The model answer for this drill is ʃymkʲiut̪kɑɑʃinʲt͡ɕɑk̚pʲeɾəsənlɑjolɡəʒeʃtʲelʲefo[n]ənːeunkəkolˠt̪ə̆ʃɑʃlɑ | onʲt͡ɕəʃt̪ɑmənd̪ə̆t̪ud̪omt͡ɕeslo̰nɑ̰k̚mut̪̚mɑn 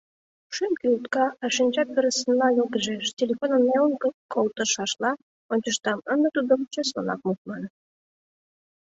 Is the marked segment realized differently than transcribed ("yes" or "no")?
no